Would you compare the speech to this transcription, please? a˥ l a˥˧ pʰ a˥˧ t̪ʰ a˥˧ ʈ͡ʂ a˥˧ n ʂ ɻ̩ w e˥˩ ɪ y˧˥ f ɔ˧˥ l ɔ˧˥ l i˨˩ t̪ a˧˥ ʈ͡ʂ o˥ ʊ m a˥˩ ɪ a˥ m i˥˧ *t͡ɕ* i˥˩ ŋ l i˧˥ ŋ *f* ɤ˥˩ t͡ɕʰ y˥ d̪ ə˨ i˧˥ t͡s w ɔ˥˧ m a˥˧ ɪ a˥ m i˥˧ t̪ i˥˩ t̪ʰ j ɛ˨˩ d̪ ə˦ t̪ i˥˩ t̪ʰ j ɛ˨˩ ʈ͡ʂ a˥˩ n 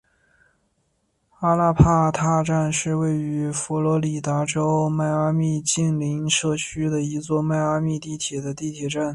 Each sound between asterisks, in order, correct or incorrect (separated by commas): correct, incorrect